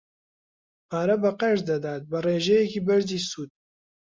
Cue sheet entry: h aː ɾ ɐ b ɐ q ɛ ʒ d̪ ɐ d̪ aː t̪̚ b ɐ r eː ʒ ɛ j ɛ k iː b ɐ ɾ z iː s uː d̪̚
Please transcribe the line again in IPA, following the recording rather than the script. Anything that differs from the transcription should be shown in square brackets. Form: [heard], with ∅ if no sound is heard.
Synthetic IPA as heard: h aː ɾ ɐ b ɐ q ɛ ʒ d̪ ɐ d̪ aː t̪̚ b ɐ r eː ʒ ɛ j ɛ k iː b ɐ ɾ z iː s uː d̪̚